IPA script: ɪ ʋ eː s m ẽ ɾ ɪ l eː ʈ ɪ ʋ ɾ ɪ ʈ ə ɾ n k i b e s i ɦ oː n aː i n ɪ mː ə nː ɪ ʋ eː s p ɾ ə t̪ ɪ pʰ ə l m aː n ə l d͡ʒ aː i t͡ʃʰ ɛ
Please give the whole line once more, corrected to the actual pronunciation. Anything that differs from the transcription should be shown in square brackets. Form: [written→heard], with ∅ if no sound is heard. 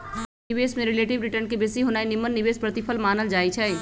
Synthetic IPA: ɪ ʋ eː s m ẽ ɾ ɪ l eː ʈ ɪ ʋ ɾ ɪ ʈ ə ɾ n k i b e s i ɦ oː n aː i n ɪ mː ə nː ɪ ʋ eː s p ɾ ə t̪ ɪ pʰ ə l m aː n ə l d͡ʒ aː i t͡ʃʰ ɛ